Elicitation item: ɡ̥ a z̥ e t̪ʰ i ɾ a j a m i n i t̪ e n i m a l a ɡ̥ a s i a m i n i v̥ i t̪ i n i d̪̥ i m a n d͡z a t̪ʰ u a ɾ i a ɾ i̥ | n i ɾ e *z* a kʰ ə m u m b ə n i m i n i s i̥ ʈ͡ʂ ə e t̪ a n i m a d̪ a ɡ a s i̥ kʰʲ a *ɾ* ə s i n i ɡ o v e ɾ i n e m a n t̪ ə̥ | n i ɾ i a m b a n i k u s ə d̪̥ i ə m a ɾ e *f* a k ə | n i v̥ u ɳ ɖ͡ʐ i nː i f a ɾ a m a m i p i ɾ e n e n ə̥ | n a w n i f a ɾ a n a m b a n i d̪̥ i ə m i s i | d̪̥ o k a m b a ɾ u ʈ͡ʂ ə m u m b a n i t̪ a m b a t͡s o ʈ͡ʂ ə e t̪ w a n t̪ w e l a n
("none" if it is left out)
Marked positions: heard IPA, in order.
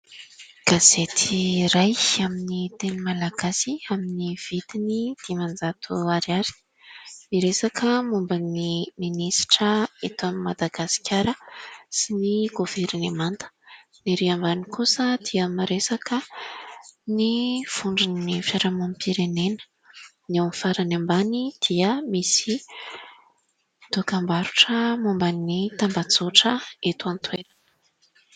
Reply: s, ɾ, s

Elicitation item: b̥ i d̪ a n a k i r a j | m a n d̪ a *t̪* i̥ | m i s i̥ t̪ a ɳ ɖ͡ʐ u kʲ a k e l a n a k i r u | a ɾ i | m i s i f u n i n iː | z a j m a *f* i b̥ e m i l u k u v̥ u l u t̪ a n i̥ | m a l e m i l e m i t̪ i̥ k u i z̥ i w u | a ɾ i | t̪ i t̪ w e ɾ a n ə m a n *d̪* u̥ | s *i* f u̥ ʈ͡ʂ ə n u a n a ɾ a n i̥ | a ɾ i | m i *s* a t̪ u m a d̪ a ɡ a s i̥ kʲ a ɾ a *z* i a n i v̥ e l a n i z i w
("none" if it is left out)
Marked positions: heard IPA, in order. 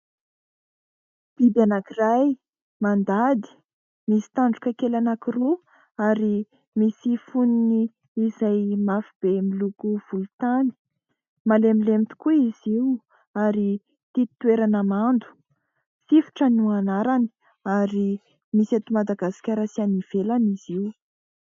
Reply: d̪, f, d̪, i, s, s

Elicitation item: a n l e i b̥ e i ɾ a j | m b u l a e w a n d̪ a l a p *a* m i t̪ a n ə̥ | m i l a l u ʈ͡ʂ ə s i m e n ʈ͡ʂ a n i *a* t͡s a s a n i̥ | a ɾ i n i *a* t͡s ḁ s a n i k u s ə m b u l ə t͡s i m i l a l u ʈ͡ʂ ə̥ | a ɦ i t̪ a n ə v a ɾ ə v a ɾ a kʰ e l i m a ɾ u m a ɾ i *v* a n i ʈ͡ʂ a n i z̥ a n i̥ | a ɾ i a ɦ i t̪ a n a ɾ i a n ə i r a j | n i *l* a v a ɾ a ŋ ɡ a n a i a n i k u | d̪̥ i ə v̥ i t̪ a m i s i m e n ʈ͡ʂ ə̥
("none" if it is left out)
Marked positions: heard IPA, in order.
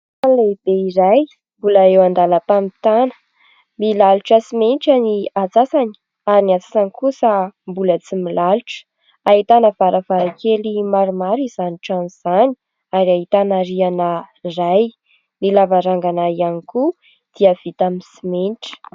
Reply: a, a, a, z, l

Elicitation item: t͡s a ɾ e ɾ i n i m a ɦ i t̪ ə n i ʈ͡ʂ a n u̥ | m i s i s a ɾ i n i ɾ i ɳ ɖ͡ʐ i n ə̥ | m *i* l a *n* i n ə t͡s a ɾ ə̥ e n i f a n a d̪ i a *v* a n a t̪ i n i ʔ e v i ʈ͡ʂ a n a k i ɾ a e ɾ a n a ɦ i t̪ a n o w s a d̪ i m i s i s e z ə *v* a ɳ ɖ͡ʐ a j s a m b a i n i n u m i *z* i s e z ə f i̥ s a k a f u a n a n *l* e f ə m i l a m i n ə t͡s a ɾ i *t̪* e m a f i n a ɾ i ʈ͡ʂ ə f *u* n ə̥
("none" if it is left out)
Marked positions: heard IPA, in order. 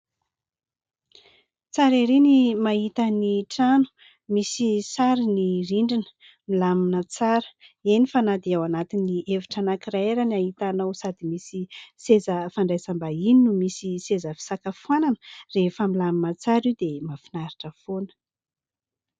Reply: i, m, w, f, s, r, d̪, o

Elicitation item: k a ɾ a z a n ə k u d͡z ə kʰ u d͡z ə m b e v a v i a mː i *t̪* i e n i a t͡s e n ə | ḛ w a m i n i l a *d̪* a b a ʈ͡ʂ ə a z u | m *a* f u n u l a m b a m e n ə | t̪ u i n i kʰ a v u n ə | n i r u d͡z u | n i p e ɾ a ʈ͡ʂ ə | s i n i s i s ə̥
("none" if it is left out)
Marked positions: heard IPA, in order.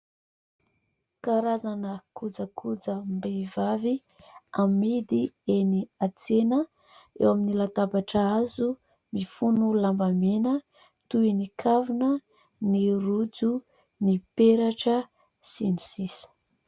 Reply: d̪, t̪, i

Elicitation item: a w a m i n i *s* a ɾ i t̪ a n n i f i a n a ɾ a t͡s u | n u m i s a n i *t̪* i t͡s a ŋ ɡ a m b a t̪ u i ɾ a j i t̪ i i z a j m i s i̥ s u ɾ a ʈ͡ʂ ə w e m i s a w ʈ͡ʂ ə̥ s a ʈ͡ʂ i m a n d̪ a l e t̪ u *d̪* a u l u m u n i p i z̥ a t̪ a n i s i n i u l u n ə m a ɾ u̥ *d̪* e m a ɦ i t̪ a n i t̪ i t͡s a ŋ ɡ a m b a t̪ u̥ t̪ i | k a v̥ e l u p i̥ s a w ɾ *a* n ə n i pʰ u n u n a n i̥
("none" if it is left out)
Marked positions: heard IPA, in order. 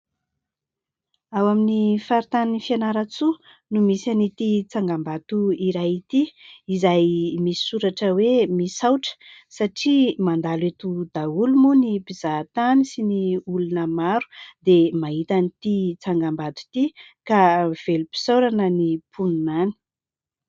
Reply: f, t̪, d̪, d̪, a

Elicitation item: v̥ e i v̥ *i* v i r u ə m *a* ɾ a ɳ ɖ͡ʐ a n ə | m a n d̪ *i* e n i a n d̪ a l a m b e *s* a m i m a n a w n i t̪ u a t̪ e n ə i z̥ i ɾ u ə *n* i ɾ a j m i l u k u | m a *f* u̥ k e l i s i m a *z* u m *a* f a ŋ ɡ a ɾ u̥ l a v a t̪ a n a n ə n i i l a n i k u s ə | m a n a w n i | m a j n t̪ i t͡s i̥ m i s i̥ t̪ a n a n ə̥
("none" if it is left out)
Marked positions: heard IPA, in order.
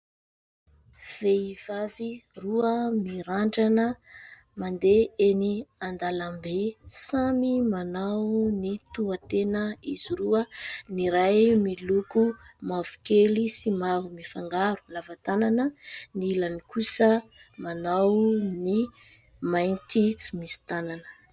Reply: a, i, e, s, n, v, v, i

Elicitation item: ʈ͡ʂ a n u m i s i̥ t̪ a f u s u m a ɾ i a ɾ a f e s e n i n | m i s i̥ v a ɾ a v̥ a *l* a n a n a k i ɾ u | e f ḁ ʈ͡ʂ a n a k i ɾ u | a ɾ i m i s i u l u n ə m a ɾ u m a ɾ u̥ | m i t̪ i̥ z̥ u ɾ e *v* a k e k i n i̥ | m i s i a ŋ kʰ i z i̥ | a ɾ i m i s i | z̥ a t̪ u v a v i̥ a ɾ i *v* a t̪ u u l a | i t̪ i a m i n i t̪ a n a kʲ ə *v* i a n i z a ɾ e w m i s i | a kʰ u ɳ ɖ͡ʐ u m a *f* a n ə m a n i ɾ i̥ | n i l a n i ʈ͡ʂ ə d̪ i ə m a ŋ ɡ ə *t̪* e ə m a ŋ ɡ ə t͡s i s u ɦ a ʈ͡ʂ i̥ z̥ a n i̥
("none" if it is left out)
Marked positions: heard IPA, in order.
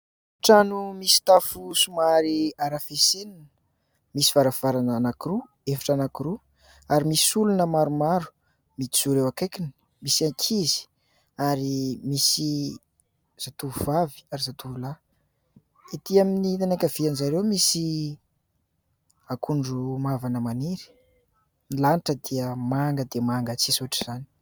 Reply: ɾ, w, z, v, v, d̪

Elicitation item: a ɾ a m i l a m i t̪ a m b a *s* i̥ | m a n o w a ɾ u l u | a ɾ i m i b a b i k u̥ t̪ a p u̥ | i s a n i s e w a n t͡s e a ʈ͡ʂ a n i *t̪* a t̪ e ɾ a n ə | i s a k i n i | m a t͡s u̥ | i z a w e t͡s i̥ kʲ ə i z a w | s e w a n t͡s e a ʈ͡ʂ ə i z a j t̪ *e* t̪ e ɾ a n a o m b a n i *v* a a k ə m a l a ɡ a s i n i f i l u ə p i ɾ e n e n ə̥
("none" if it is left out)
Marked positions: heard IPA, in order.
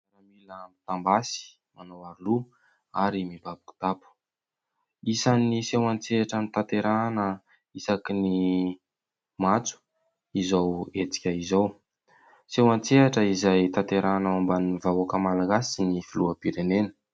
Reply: s, t̪, a, v

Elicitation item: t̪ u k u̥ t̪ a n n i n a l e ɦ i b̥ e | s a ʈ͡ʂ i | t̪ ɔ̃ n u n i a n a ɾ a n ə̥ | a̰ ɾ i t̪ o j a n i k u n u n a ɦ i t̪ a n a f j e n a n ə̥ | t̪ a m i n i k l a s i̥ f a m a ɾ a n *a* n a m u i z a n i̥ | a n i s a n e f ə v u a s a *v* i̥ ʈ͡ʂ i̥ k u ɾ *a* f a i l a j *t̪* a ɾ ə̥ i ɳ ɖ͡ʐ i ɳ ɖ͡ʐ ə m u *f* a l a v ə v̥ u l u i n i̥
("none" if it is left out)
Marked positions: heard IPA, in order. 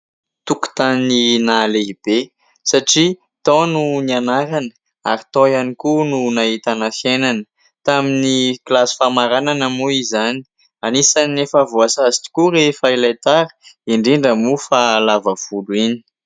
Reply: a, z, e, t̪, f

